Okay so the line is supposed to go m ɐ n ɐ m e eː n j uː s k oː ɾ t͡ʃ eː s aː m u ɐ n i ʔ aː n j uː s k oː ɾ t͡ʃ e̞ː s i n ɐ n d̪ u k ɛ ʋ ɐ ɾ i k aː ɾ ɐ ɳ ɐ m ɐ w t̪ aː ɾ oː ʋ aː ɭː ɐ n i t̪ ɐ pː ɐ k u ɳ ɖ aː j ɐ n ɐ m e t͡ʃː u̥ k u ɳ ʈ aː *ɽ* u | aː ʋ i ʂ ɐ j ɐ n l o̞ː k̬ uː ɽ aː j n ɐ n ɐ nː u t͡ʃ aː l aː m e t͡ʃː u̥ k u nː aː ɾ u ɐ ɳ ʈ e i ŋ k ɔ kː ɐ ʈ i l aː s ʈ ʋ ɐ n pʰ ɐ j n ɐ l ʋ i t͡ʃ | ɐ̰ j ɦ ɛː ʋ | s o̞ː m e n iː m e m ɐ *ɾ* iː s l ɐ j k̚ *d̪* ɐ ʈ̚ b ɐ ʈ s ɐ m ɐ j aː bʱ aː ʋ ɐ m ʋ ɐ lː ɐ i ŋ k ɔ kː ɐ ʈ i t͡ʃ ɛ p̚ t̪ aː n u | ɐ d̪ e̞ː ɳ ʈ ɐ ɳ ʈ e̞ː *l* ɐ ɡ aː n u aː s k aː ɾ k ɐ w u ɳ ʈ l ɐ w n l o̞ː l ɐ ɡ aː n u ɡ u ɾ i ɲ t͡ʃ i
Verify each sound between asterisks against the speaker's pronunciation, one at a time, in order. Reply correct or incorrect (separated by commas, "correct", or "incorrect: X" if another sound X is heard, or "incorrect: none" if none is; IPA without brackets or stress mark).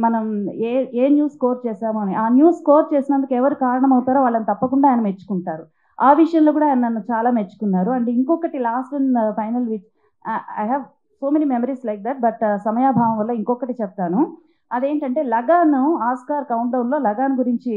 incorrect: ɾ, correct, correct, correct